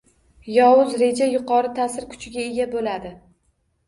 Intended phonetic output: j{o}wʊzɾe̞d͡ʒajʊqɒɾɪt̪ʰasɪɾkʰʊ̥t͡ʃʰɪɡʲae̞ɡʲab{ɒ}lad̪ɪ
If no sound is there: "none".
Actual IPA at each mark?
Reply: ɒ, o

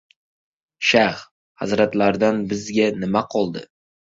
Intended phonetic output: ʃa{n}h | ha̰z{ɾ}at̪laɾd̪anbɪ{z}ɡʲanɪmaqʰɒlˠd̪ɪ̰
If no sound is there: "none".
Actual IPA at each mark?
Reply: none, ɾ, z

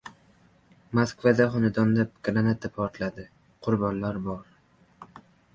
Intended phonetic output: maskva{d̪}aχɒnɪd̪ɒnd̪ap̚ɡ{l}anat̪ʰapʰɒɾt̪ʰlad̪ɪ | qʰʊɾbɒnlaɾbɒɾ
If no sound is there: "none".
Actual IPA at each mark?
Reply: d̪, ɾ

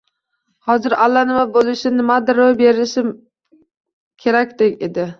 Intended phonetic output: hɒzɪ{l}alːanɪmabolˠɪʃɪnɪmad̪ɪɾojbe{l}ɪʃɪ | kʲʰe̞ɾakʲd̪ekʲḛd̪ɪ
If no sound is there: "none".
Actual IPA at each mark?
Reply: ɾ, ɾ

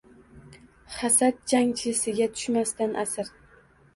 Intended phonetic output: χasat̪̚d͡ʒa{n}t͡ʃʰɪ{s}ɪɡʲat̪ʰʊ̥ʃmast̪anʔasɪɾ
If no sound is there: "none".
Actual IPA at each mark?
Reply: ŋ, s

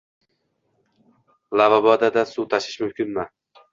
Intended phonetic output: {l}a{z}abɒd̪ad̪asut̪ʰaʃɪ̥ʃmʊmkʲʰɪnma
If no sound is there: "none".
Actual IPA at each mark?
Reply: l, v

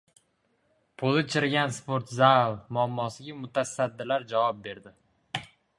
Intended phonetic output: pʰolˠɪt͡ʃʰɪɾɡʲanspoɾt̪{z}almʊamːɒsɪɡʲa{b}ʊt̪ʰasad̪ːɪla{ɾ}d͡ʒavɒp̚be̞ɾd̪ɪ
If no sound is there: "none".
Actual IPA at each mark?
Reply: z, m, ɾ

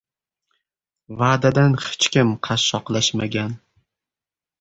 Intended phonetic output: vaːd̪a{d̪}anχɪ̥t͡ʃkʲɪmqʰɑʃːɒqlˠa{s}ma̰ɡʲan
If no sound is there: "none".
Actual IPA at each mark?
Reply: d̪, ʃ

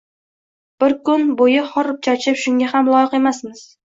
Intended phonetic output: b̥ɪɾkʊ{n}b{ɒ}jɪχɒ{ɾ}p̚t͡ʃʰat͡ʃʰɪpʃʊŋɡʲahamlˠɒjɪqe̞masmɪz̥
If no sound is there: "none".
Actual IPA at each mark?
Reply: n, o, ɾ

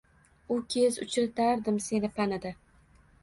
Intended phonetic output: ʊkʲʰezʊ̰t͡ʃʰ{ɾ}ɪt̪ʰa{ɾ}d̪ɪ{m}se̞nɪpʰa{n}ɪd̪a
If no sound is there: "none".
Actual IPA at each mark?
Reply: ɾ, ɾ, m, n

